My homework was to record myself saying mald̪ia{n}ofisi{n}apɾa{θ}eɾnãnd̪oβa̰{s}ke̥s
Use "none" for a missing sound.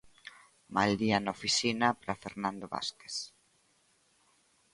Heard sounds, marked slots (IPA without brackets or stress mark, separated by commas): n, n, f, s